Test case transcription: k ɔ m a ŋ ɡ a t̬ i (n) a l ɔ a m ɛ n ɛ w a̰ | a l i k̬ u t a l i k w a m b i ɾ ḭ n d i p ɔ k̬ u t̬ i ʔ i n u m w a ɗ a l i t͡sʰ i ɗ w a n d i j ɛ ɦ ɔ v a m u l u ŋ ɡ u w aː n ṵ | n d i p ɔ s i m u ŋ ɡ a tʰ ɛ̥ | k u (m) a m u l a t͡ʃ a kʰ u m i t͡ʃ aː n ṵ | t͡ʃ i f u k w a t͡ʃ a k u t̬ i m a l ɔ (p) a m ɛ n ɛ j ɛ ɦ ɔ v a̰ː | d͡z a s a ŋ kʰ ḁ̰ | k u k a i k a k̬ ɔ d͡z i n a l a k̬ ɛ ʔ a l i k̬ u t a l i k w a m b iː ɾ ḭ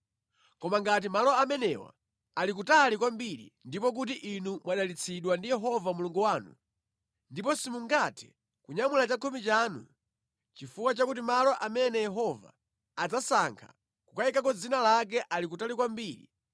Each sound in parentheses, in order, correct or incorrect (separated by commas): incorrect, incorrect, incorrect